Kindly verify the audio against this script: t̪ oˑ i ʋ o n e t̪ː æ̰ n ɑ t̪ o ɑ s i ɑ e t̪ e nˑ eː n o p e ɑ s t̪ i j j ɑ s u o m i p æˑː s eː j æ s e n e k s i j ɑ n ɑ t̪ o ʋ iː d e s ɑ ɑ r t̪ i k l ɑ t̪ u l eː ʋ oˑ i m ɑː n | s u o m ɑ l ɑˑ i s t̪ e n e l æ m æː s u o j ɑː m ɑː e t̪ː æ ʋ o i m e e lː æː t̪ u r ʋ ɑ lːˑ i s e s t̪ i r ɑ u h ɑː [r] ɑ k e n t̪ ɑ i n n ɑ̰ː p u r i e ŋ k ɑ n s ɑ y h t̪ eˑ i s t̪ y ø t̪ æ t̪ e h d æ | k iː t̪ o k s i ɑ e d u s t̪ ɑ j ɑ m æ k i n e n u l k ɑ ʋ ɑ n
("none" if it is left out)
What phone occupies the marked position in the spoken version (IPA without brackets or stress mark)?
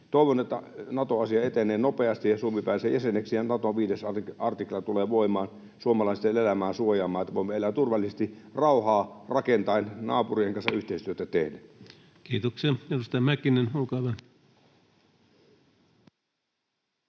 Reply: r